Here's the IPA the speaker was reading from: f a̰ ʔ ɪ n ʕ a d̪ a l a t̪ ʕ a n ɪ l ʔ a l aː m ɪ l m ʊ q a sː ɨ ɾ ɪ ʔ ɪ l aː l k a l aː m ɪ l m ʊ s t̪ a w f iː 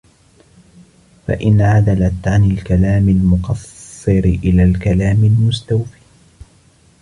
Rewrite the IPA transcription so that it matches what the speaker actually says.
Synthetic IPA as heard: f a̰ ʔ ɪ n ʕ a d̪ a l a t̪ ʕ a n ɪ l k a l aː m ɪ l m ʊ q ɑ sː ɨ ɾ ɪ ʔ ɪ l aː l k a l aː m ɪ l m ʊ s t̪ a w f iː